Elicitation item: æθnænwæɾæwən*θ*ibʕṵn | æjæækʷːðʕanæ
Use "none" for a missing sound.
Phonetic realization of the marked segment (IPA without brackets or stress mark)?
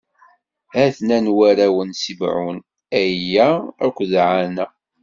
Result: s